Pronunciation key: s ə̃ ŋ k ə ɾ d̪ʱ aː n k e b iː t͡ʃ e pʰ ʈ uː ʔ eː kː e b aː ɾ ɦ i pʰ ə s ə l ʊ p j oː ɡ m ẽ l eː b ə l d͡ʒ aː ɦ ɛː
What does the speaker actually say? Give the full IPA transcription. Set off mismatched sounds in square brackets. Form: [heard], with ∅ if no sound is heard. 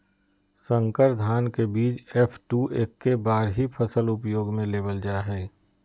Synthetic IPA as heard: s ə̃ ŋ k ə ɾ d̪ʱ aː n k e b iː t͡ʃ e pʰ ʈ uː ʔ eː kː e b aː ɾ ɦ i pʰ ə s ə l ʊ p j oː ɡ m ẽ l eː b ə l d͡ʒ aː ɦ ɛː